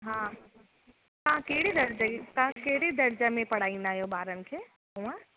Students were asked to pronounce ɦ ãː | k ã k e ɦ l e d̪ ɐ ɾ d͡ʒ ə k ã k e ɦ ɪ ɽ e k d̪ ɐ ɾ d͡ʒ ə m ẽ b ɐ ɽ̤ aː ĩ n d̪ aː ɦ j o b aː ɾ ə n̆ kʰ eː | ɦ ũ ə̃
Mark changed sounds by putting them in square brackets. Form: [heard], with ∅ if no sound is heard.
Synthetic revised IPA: ɦ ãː | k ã k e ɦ [ɽ] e d̪ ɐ ɾ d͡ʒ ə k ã k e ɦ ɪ ɽ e [∅] d̪ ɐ ɾ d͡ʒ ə m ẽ [p] ɐ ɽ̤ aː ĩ n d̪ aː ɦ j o b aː ɾ ə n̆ kʰ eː | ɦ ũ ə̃